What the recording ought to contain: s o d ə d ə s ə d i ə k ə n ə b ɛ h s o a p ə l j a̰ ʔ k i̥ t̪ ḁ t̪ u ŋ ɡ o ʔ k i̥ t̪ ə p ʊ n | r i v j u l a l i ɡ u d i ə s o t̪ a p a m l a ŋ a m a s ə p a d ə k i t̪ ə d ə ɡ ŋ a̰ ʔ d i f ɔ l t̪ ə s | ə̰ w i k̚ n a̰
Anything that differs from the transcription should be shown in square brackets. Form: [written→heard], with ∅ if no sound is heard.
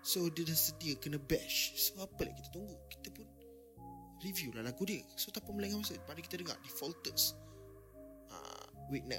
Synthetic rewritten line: s o d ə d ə s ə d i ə k ə n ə b ɛ [h→ʃ] s o a p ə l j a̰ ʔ k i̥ t̪ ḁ t̪ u ŋ ɡ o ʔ k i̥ t̪ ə p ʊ n | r i v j u l a l [i→a] ɡ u d i ə s o t̪ a p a m l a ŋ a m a s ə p a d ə k i t̪ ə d ə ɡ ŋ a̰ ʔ d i f ɔ l t̪ ə s | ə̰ w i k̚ n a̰